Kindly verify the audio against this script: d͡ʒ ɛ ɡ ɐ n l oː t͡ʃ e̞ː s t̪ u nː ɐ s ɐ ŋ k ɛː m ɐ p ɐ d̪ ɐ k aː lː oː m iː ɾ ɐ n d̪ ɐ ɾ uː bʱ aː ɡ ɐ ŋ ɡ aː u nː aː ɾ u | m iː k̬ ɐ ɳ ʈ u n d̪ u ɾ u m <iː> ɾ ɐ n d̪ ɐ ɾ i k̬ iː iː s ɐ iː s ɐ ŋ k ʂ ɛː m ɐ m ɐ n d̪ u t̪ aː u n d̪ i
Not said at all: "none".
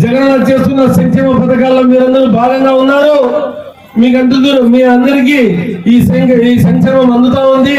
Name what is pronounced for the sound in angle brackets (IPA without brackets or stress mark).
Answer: iː